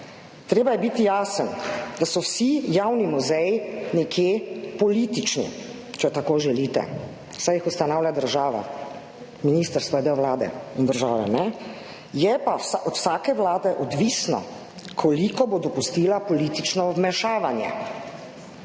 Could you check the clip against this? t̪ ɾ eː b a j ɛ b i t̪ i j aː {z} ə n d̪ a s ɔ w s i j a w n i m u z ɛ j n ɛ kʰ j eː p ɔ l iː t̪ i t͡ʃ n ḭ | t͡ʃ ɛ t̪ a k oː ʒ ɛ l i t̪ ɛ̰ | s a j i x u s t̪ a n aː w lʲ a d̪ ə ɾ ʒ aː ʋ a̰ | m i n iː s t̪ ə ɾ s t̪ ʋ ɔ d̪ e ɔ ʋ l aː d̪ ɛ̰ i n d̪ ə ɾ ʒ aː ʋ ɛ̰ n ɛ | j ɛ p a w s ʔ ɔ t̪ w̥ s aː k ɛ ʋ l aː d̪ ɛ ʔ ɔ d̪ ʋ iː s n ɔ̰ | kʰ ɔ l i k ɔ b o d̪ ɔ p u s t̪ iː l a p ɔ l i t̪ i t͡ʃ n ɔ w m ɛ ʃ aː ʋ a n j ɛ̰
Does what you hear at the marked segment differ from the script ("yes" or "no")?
yes